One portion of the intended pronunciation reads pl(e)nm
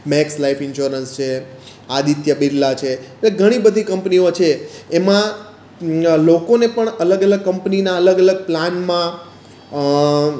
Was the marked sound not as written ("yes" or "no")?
yes